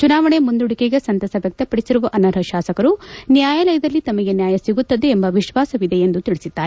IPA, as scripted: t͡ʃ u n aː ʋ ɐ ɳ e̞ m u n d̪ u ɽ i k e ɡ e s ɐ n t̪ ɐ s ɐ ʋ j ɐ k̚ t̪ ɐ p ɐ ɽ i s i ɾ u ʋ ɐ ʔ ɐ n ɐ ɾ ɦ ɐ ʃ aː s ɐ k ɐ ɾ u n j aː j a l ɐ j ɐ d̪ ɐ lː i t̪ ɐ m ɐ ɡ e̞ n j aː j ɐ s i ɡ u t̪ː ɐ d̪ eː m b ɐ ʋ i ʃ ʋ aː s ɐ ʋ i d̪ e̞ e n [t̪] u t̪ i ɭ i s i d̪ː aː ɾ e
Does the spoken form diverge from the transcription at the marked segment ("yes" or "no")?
yes